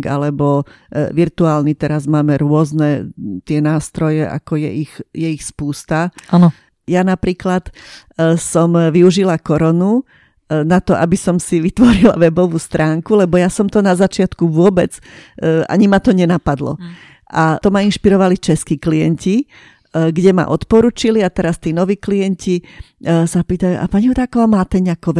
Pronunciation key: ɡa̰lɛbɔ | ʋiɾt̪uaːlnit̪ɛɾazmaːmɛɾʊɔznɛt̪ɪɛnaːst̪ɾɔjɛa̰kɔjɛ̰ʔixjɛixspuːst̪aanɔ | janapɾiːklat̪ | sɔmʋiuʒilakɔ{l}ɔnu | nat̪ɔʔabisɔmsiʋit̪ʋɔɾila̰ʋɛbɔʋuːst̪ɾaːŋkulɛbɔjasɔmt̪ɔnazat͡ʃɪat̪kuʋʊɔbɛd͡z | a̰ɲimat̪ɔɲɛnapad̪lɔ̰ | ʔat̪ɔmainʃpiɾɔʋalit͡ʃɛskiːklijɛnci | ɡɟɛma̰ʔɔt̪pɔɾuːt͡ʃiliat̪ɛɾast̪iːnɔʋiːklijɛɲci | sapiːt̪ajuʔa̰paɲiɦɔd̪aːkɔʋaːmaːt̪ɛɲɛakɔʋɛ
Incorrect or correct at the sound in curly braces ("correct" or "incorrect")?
incorrect